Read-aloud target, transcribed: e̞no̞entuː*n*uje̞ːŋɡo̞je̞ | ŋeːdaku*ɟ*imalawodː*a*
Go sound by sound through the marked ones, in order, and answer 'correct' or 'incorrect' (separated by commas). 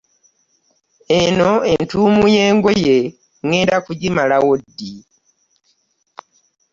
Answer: incorrect, correct, incorrect